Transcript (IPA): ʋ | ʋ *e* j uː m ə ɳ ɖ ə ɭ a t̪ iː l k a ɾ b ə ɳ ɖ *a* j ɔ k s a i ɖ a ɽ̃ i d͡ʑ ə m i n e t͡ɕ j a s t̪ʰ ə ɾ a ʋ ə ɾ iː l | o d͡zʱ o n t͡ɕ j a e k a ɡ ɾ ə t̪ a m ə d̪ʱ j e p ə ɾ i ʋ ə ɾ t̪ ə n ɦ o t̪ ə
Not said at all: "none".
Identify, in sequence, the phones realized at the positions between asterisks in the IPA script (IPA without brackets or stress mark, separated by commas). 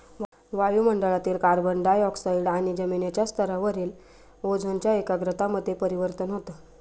a, a